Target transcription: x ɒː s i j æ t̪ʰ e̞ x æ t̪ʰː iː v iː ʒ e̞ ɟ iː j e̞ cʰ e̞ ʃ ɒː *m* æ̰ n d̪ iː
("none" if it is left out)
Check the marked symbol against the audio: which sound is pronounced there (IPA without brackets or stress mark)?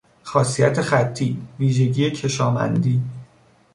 m